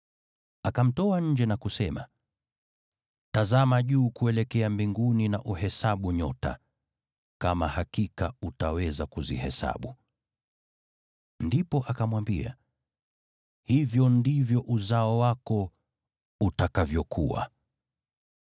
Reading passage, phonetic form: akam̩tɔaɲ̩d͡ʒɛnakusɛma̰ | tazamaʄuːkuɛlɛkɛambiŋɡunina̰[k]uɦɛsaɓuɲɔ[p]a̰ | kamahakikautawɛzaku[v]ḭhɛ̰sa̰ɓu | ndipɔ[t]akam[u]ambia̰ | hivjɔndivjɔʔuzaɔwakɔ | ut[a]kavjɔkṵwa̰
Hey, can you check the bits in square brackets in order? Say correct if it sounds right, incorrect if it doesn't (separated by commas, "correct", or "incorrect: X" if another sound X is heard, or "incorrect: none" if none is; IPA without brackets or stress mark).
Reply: incorrect: ʔ, incorrect: t, incorrect: z, incorrect: ʔ, incorrect: w, correct